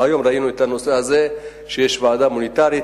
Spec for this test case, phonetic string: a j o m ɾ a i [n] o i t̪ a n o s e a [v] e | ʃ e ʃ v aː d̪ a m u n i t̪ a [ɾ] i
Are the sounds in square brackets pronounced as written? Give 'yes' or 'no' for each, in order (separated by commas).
yes, no, yes